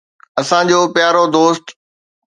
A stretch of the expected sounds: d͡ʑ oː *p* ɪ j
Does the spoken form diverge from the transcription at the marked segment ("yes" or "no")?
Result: no